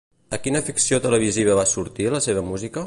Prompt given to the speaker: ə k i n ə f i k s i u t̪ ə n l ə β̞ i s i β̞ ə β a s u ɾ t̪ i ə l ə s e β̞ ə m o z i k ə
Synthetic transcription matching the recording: ə k i n ə f i k s i o t̪ ə l ə β̞ i z i β̞ ə β a s u ɾ t̪ i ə l ə s e β̞ ə m u z i k ə